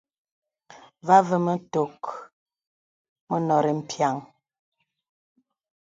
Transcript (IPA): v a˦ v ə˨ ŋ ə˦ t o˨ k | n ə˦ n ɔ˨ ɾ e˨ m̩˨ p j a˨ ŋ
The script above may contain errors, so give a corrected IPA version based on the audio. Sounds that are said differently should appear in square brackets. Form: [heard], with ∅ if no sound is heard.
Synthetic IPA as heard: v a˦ v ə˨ [m] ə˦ t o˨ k | [m] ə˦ n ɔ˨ ɾ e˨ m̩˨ p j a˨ ŋ